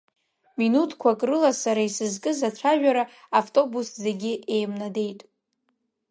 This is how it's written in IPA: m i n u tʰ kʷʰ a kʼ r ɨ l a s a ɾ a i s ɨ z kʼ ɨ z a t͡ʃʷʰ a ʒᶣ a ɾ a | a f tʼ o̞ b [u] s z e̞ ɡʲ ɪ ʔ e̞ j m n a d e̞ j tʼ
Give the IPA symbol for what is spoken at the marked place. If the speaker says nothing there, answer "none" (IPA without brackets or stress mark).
u